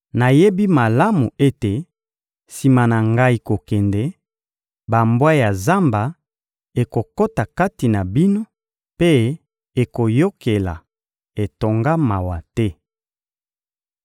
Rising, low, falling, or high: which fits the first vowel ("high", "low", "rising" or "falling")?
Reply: low